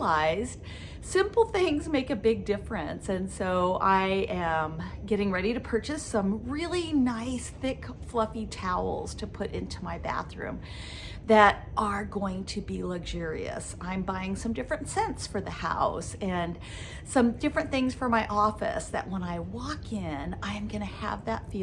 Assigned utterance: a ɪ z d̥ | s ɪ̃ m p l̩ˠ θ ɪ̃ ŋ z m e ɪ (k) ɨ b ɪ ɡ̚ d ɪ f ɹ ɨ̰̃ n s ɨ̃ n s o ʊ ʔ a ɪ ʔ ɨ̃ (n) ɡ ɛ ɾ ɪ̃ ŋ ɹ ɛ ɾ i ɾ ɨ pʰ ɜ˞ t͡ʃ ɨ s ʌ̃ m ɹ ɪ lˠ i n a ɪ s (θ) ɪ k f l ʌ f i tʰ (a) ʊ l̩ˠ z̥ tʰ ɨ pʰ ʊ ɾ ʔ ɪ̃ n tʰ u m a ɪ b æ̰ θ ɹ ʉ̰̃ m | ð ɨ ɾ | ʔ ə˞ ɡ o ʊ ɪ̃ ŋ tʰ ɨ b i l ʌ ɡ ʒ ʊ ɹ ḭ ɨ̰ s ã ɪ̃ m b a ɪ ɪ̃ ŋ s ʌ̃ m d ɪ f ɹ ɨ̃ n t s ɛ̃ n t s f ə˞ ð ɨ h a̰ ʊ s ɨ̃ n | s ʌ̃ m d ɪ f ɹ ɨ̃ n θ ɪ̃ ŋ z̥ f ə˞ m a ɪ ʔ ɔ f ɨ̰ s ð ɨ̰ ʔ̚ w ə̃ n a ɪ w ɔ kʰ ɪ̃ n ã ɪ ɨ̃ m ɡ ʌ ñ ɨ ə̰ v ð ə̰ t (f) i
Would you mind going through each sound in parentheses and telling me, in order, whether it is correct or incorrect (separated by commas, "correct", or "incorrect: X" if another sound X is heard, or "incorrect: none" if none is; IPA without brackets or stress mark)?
correct, incorrect: m, correct, correct, correct